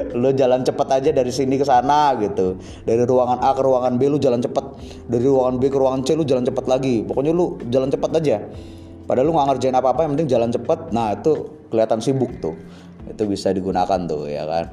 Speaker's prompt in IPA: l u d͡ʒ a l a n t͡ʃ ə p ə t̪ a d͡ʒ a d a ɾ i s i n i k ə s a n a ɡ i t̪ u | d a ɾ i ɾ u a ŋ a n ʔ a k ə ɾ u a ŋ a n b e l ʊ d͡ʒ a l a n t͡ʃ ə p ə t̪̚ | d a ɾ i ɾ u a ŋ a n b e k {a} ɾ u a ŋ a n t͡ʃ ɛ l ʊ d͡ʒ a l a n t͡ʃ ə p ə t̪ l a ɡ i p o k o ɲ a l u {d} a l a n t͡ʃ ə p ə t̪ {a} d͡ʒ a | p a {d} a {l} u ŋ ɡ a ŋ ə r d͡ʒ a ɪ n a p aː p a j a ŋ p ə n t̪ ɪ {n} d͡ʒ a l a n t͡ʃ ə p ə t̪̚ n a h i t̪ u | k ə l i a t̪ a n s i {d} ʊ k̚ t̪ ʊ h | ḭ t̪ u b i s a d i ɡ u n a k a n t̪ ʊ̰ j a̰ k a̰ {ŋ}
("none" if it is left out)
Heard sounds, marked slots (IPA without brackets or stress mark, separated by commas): ə, d͡ʒ, a, d, l, ŋ, b, n